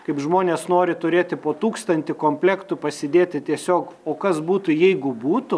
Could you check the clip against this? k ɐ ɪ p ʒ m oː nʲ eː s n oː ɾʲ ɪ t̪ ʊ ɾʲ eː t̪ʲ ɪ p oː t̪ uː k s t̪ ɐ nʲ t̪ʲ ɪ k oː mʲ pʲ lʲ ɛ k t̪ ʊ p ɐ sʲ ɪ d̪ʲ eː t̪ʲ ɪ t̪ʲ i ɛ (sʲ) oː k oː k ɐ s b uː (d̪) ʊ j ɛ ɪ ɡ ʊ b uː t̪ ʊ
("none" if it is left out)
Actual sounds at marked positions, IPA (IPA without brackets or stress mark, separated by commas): sʲ, t̪